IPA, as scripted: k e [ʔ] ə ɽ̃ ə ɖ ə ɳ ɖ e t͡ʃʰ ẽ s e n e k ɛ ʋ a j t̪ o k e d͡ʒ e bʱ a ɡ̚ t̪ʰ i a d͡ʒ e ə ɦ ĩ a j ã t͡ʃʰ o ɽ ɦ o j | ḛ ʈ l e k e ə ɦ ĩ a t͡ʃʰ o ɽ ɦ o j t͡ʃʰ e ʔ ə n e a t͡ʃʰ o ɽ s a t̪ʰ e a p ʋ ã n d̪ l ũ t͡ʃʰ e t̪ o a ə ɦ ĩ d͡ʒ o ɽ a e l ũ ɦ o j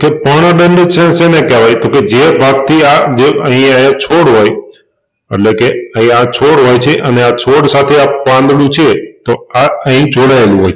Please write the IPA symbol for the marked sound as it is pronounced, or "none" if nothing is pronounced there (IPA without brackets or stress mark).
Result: p